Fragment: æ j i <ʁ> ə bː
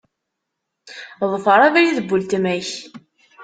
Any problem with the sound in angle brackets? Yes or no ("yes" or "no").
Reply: yes